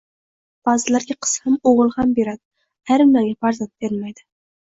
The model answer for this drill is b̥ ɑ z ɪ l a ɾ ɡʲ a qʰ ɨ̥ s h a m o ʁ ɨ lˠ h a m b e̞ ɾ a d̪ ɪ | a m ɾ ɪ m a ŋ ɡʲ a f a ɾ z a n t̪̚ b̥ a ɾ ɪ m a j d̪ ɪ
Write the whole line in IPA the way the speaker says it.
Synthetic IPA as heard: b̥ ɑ z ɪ l a ɾ ɡʲ a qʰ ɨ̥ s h a m o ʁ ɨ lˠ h a m b e̞ ɾ a d̪ ɪ | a ɾ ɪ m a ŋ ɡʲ a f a ɾ z a n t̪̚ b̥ e ɾ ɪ m a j d̪ ɪ